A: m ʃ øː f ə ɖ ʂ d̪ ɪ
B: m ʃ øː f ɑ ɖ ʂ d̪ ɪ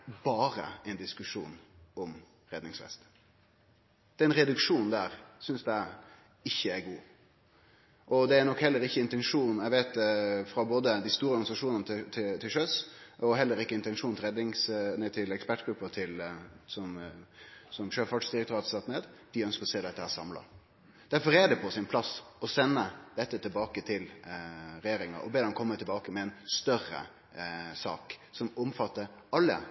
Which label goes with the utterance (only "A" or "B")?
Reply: B